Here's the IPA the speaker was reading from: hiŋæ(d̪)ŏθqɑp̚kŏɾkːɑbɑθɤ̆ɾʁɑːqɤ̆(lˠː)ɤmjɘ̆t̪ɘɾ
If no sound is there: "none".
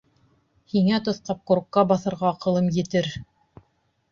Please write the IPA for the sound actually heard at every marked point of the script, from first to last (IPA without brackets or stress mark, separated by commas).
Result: t̪, lˠ